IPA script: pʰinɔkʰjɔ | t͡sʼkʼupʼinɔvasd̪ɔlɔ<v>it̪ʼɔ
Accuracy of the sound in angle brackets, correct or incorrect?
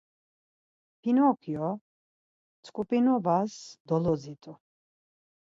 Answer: incorrect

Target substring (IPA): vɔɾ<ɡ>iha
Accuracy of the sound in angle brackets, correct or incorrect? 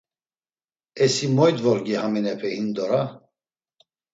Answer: correct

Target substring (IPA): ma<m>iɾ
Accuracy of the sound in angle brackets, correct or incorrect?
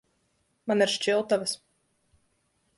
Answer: incorrect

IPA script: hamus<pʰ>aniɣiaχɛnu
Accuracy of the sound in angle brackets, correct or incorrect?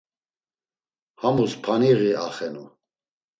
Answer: correct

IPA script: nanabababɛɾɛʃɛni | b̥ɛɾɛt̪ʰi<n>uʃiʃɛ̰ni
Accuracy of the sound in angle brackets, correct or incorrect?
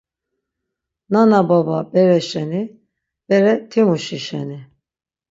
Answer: incorrect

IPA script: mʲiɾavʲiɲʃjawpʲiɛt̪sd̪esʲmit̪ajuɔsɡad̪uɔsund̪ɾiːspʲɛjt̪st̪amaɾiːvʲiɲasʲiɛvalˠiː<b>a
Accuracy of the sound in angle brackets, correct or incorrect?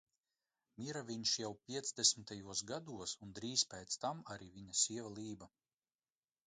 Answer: correct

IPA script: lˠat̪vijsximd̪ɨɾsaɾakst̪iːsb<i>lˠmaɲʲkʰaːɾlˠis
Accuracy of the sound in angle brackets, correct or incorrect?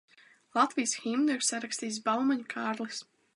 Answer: incorrect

